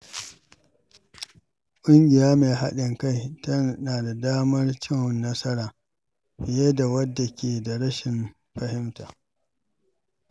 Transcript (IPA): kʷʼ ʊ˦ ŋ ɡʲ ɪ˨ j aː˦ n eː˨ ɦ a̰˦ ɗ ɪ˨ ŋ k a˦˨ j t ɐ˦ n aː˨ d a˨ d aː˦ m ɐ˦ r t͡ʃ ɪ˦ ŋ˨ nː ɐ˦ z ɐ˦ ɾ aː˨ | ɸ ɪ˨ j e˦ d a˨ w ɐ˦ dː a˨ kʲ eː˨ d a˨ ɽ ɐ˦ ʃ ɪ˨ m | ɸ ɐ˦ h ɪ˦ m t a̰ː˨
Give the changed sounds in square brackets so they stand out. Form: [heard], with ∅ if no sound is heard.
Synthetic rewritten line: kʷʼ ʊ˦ ŋ ɡʲ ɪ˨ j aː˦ [m] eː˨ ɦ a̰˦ ɗ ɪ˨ ŋ k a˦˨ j t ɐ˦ n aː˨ d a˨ d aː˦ m ɐ˦ r t͡ʃ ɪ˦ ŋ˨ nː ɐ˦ [s] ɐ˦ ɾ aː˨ | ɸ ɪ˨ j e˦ d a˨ w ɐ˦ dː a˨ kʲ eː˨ d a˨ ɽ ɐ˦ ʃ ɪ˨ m | ɸ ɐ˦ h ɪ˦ m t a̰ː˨

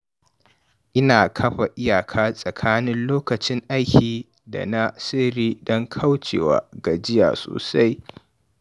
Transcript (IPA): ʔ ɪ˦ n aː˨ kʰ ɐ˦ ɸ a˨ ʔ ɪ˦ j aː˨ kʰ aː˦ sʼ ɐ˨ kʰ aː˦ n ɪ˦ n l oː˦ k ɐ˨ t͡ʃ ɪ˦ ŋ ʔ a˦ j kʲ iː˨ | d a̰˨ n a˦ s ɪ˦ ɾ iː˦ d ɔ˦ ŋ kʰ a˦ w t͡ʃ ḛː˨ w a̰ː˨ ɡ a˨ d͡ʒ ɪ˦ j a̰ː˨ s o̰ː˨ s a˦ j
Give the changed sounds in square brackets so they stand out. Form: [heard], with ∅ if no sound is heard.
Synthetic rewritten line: ʔ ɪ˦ n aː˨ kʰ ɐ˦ ɸ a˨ ʔ ɪ˦ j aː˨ kʰ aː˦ sʼ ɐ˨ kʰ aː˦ n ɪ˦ n l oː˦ k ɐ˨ t͡ʃ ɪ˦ ŋ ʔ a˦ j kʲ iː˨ | d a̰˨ n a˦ s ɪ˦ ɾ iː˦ d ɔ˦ ŋ kʰ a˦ w t͡ʃ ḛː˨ w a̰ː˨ ɡ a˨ d͡ʒ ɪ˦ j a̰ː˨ s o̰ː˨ s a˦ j

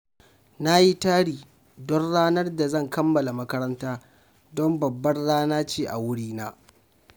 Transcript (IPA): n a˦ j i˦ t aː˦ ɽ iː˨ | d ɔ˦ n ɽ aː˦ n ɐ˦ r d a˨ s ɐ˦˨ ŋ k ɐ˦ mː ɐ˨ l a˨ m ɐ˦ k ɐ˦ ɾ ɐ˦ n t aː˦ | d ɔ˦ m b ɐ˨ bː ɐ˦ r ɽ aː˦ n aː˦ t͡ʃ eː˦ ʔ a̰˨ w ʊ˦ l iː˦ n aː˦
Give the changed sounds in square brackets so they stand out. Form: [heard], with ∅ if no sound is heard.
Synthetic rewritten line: n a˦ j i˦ t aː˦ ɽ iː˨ | d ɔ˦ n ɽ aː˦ n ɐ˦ r d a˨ [z] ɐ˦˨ ŋ k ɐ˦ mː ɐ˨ l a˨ m ɐ˦ k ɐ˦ ɾ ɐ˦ n t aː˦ | d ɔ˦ m b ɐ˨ bː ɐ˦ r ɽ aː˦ n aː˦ t͡ʃ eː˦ ʔ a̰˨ w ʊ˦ [ɽ] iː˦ n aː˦

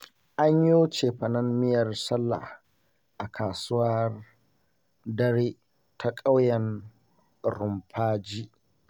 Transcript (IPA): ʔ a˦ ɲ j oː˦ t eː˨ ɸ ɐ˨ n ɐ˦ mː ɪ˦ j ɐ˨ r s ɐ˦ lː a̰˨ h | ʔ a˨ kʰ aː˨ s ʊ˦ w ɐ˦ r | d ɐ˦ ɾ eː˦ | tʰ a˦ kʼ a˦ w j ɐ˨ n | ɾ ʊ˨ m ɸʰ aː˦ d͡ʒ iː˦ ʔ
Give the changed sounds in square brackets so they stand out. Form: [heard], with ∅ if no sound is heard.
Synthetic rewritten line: ʔ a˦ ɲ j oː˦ [t͡ʃ] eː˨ ɸ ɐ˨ n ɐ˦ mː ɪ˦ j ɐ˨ r s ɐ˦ lː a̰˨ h | ʔ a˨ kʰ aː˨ s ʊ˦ w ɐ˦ r | d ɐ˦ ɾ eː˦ | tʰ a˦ kʼ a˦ w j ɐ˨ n | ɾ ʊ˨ m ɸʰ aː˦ d͡ʒ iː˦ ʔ

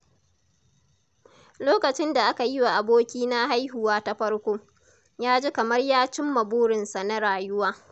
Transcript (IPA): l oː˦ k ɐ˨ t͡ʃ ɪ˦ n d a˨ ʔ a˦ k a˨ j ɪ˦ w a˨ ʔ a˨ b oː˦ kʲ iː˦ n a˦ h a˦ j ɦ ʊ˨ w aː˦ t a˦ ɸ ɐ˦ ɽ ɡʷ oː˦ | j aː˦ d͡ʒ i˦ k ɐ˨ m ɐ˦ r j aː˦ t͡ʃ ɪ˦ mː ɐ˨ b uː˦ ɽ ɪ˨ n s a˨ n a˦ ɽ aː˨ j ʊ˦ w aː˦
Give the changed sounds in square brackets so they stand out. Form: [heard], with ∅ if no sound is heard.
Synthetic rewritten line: l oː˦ k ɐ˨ t͡ʃ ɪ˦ n d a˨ ʔ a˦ k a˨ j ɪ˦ w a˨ ʔ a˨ b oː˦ kʲ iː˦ n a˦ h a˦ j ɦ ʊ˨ w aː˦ t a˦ ɸ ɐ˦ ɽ [kʷ] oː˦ | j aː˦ d͡ʒ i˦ k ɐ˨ m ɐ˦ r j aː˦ t͡ʃ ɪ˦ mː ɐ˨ b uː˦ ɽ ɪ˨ n s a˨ n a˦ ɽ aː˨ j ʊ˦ w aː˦

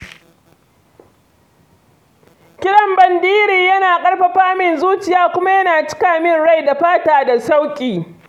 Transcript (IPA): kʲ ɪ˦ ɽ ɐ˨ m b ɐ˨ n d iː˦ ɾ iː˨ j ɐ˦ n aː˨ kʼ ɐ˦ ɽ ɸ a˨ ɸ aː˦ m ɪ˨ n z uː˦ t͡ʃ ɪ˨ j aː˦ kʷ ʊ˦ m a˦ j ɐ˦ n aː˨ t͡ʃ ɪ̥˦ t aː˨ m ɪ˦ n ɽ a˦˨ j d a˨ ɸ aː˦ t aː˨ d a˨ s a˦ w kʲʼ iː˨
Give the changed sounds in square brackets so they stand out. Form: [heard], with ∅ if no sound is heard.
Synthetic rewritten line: kʲ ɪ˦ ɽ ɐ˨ m b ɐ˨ n d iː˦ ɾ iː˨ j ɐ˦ n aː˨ kʼ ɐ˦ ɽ ɸ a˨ ɸ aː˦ m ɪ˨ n z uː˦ t͡ʃ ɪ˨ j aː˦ kʷ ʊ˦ m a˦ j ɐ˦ n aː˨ t͡ʃ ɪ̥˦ [k] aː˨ m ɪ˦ n ɽ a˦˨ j d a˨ ɸ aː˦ t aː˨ d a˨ s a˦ w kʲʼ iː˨

